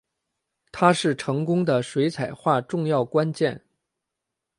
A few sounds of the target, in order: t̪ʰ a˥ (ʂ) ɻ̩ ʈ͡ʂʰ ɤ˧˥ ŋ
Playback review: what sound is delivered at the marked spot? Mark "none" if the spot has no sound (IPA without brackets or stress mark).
ʂ